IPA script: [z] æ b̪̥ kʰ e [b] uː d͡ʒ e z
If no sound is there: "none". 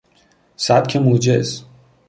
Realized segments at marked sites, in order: s, m

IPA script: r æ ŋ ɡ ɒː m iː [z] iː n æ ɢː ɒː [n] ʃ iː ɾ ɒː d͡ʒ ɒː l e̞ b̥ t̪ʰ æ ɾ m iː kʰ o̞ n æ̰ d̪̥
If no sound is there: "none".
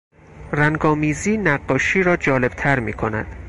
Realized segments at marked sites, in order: z, none

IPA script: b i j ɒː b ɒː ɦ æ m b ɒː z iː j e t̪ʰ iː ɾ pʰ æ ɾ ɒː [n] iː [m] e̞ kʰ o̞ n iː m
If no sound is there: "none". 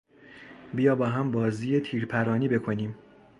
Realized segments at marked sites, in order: n, b

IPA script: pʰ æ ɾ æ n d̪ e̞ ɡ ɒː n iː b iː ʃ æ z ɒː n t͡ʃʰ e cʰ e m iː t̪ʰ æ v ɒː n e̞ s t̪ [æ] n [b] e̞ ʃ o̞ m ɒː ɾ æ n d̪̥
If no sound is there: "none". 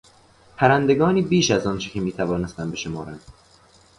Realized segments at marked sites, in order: æ, b

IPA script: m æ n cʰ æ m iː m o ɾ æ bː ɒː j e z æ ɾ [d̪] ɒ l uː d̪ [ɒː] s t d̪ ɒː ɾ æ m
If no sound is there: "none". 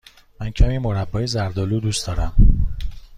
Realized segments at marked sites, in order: d̪, uː

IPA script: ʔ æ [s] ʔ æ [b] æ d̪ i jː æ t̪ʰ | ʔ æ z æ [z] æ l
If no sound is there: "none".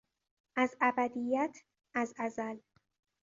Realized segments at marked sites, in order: z, b, z

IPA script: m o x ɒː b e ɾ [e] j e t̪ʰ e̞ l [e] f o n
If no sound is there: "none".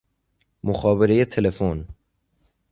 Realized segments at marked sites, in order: e, e

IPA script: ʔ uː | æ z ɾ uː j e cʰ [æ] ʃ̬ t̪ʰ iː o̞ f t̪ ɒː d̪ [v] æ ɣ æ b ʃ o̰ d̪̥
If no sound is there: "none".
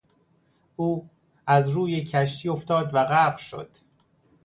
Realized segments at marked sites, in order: æ, v

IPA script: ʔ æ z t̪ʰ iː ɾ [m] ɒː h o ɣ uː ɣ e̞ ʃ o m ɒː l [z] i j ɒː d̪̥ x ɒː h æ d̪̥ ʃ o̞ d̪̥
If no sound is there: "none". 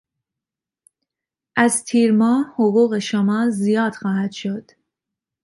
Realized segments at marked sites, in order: m, z

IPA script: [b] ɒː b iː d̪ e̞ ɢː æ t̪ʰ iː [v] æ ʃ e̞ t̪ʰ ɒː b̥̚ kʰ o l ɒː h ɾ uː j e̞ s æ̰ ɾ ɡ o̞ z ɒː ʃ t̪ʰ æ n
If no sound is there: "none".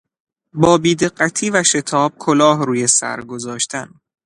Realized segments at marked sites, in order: b, v

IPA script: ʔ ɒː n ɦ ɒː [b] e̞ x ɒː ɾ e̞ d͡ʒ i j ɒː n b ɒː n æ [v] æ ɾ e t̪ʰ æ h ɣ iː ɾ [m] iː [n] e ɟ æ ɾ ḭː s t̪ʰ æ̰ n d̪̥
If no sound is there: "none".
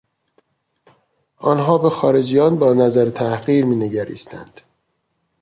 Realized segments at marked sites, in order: b, z, m, n

